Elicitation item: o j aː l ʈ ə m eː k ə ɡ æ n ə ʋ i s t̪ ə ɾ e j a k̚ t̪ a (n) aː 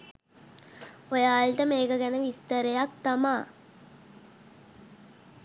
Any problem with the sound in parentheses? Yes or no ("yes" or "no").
yes